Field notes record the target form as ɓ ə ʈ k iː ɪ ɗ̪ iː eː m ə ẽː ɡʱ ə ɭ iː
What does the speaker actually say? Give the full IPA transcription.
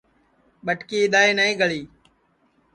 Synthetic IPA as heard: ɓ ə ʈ k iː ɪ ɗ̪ aː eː n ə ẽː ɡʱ ə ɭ iː